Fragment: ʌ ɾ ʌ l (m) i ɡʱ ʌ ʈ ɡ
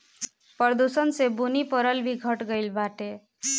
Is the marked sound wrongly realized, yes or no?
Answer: yes